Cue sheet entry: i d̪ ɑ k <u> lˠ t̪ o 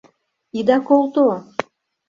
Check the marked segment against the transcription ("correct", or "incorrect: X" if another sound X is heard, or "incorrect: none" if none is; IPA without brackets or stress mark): incorrect: o